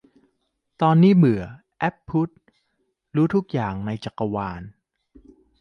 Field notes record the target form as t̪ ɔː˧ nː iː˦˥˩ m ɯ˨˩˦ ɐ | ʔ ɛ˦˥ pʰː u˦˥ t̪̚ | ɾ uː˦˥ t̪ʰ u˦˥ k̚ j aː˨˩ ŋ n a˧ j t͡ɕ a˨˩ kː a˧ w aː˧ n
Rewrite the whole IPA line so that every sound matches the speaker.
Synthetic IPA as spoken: t̪ ɔː˧ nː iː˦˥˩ m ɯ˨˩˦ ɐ | ʔ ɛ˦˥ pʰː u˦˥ t̪̚ | ɾ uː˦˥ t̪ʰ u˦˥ k̚ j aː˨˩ ŋ n a˧ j t͡ɕ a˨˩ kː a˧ w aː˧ n